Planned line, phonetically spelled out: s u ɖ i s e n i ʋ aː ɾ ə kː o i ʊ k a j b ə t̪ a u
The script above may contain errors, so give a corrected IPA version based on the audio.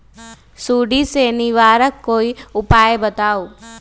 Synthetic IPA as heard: s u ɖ i s e n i ʋ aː ɾ ə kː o i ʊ p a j b ə t̪ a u